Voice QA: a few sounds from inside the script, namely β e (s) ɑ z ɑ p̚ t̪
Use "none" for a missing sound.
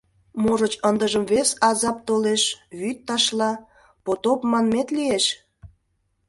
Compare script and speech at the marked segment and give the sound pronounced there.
s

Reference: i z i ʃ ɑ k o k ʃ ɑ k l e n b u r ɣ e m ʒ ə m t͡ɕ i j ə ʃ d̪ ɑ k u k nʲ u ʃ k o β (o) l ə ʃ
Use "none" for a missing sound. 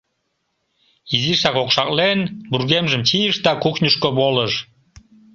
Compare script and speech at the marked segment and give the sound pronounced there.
o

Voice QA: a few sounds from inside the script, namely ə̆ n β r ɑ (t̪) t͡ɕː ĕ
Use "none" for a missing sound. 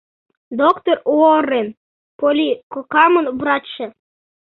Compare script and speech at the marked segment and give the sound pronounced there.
none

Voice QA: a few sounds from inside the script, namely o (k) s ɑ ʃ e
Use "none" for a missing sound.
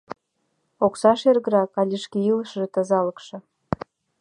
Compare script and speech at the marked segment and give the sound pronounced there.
k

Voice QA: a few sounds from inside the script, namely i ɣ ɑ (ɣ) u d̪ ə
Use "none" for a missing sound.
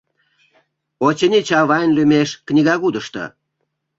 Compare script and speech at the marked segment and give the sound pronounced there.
ɣ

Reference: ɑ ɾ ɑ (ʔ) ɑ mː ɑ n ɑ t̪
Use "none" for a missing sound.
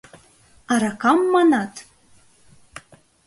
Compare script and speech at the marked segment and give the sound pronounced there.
k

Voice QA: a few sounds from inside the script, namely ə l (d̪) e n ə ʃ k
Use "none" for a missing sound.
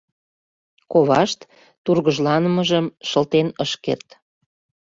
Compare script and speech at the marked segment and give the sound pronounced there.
t̪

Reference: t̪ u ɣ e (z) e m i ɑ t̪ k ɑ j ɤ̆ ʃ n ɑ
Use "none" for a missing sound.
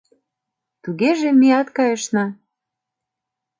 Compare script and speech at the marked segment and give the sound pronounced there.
ʒ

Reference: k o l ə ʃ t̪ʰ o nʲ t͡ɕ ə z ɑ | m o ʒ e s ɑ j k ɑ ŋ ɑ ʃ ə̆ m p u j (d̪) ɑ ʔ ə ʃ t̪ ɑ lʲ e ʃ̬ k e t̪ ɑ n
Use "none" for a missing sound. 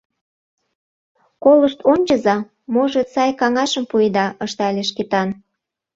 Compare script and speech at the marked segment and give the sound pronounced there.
d̪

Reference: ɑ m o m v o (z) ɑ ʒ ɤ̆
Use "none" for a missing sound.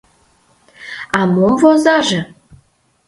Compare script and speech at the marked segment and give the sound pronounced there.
z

